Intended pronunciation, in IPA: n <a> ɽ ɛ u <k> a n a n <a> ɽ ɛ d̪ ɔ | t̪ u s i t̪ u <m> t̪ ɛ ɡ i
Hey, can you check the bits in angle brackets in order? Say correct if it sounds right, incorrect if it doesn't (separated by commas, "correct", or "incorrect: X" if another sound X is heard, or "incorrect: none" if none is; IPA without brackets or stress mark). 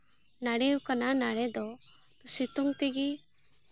correct, correct, correct, incorrect: ŋ